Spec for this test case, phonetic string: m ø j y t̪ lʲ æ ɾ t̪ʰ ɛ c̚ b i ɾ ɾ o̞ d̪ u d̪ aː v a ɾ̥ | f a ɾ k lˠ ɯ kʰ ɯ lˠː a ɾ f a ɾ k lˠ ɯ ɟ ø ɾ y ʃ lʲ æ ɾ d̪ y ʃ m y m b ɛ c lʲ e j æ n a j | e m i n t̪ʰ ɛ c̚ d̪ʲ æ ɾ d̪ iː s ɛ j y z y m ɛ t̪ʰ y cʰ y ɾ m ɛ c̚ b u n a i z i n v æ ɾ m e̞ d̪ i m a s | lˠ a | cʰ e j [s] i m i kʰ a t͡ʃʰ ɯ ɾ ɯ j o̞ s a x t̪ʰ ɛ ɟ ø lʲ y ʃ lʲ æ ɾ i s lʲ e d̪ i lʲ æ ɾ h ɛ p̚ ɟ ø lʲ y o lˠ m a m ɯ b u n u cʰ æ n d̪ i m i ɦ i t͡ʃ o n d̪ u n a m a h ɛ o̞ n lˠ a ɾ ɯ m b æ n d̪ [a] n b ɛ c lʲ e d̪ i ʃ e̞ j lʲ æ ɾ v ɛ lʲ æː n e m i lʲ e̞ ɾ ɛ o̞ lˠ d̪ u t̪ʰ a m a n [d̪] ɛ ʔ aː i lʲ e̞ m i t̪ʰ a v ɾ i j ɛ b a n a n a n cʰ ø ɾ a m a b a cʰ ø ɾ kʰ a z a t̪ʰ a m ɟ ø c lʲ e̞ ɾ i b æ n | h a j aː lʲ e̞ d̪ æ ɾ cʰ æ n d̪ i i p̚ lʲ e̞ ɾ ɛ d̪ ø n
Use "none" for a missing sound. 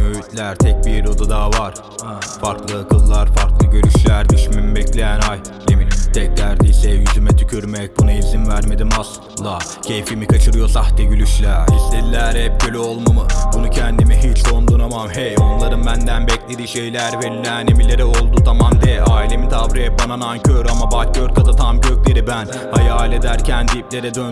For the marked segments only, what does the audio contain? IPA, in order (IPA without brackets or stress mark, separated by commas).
f, æ, d̪